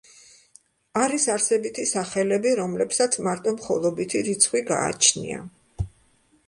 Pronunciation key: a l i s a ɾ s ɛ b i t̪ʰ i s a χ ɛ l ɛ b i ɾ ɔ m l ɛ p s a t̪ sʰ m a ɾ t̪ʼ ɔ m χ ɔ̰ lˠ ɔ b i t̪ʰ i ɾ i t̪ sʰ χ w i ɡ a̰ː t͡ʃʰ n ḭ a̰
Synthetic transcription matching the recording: a ɾ i s a ɾ s ɛ b i t̪ʰ i s a χ ɛ l ɛ b i ɾ ɔ m l ɛ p s a t̪ sʰ m a ɾ t̪ʼ ɔ m χ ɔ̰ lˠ ɔ b i t̪ʰ i ɾ i t̪ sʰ χ w i ɡ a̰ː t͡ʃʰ n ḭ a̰